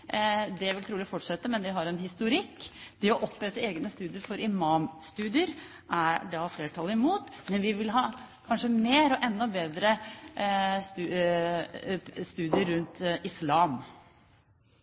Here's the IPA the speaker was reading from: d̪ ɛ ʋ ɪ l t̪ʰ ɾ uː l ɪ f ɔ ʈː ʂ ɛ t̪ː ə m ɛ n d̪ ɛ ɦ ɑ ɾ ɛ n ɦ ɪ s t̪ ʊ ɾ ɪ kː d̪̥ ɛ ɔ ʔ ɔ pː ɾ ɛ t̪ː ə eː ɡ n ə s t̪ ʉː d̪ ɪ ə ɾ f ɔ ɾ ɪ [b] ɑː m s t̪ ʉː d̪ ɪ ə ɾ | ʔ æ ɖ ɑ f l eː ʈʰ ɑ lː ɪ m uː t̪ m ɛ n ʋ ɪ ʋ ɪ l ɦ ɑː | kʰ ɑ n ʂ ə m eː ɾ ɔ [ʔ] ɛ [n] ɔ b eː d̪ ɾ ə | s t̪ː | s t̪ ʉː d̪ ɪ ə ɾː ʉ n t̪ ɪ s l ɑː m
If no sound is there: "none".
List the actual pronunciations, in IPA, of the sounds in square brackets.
m, ʔ, nː

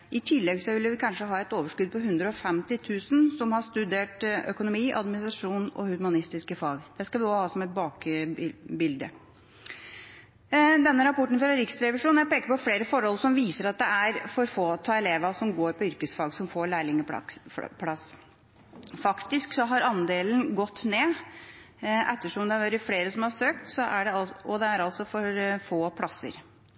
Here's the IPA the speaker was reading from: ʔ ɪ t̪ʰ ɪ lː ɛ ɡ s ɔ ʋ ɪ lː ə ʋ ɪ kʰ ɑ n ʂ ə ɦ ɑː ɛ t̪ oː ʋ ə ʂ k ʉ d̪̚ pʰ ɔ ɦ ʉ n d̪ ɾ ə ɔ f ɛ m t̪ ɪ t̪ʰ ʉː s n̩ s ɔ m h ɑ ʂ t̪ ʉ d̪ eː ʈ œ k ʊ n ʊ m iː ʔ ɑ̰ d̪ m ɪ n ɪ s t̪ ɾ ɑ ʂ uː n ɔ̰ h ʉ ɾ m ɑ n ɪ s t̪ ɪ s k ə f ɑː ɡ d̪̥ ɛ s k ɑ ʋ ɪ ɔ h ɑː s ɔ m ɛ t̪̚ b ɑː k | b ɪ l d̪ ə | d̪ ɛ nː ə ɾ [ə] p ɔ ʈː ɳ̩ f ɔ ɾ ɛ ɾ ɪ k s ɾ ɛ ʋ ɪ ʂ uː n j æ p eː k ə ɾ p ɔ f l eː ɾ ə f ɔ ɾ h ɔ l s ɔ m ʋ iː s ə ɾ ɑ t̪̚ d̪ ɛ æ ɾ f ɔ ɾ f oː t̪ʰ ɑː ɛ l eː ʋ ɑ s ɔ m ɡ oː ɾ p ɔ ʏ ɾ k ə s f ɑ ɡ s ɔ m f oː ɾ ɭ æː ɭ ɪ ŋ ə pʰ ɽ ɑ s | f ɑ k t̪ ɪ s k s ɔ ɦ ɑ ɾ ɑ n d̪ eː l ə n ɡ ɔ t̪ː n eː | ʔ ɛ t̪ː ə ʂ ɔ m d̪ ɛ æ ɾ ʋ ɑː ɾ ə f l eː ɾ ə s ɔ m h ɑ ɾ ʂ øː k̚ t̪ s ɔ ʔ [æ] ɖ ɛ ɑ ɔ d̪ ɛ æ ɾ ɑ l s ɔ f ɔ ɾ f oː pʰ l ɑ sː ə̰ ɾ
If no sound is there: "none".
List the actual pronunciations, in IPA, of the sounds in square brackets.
ɑ, æ

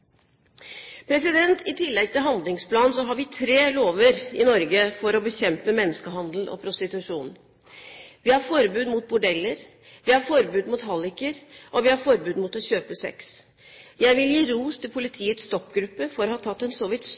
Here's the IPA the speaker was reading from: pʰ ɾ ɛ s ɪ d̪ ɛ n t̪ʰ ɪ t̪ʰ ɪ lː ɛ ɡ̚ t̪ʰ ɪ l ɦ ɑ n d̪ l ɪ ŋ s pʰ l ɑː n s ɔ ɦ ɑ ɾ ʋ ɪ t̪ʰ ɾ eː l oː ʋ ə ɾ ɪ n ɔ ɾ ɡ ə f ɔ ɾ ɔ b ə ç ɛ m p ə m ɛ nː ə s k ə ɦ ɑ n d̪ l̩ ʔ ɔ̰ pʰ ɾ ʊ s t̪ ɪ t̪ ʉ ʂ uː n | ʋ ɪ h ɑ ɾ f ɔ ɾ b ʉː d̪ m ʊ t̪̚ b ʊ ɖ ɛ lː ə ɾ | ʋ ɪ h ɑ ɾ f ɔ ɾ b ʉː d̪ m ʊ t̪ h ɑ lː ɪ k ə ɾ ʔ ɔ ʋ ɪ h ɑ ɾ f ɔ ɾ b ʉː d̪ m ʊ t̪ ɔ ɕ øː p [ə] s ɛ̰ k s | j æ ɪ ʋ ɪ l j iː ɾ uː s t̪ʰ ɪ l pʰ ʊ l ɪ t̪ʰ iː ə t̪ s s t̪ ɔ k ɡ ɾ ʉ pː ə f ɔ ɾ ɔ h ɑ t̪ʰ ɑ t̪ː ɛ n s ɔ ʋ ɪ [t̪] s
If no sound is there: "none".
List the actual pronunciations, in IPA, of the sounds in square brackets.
ə, t̪

